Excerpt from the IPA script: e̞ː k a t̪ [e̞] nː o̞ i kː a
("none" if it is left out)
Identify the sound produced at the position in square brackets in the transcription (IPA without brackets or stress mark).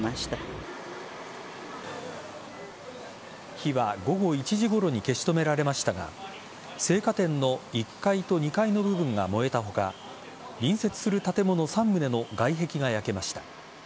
ẽ̞